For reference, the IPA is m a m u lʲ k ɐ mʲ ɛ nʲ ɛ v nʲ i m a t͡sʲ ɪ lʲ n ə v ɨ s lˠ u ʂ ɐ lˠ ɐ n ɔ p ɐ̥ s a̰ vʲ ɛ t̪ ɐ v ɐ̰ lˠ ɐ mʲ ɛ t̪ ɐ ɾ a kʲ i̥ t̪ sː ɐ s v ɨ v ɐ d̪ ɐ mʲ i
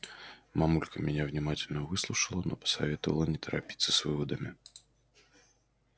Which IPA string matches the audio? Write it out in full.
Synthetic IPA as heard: m a m u lʲ k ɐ mʲ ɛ nʲ ɛ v nʲ i m a t͡sʲ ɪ lʲ n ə v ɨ s lˠ u ʂ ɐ lˠ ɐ n ɔ p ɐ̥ s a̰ vʲ ɛ t̪ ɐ v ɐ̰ lˠ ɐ nʲ ɛ t̪ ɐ ɾ a pʲ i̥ t̪ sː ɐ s v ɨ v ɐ d̪ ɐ mʲ i